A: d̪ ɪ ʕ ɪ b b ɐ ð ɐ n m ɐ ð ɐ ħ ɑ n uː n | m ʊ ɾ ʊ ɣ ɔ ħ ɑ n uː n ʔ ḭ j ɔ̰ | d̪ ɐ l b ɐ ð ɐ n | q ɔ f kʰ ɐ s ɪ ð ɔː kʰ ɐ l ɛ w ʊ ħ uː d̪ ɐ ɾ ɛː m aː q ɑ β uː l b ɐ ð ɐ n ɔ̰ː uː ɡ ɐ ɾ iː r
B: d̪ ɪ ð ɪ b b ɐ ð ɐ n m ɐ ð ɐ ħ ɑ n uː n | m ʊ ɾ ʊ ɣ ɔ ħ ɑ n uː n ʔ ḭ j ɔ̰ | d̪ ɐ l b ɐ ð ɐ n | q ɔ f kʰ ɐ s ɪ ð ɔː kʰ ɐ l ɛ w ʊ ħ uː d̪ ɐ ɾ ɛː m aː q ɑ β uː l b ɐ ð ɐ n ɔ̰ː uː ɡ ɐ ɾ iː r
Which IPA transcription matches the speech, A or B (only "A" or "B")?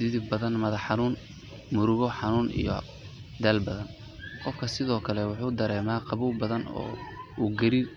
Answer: B